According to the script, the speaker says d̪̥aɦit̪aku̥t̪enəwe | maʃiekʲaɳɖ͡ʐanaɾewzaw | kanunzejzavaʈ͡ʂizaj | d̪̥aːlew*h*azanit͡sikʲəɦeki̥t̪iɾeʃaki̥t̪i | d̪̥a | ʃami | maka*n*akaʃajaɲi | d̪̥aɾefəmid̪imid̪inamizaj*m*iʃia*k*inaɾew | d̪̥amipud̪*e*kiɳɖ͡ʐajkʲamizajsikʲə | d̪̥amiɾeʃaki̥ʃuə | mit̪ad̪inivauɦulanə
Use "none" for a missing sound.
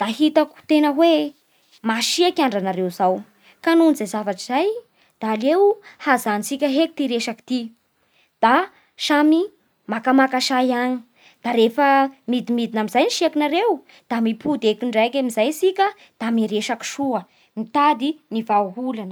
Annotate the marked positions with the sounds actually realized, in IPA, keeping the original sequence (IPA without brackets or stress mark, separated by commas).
h, m, n, k, e